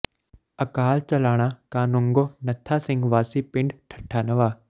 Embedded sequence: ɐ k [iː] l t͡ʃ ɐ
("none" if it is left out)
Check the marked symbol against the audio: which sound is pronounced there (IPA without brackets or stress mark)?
aː